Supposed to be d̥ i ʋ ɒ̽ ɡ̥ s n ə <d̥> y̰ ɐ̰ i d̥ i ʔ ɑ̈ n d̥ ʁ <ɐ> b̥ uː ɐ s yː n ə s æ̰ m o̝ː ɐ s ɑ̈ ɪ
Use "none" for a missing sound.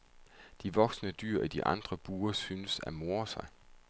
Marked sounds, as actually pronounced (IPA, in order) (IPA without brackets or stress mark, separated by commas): d̥, ɐ